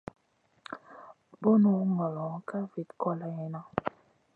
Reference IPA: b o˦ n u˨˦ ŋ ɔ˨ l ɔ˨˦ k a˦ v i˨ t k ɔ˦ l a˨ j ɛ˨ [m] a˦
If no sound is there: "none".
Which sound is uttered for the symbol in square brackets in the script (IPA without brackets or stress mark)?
n